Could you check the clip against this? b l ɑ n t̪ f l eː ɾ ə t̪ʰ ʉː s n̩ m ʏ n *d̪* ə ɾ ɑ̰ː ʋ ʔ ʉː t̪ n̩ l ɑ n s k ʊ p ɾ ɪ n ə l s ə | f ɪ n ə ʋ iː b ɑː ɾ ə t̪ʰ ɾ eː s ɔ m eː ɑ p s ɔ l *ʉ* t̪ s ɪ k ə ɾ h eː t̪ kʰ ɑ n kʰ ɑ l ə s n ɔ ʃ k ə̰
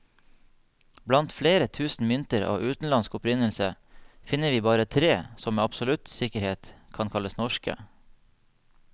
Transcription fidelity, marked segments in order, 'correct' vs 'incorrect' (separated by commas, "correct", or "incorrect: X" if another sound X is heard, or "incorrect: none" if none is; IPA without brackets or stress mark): incorrect: t̪, correct